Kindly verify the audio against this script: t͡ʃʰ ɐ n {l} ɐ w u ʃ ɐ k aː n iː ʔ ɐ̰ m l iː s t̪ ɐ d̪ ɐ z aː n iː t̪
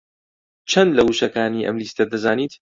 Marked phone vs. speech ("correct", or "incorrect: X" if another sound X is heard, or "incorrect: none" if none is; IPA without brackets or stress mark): correct